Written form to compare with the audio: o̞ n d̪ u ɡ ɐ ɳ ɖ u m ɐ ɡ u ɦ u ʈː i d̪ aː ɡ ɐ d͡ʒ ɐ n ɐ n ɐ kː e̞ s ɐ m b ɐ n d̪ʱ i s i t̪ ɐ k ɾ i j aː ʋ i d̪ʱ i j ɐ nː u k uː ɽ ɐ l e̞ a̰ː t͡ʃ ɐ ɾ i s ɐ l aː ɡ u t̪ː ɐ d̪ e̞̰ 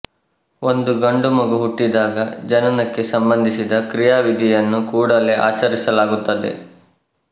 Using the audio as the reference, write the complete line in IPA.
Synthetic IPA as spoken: o̞ n d̪ u ɡ ɐ ɳ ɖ u m ɐ ɡ u ɦ u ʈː i d̪ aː ɡ ɐ d͡ʒ ɐ n ɐ n ɐ kː e̞ s ɐ m b ɐ n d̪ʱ i s i d̪ ɐ k ɾ i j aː ʋ i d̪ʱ i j ɐ nː u k uː ɽ ɐ l e̞ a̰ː t͡ʃ ɐ ɾ i s ɐ l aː ɡ u t̪ː ɐ d̪ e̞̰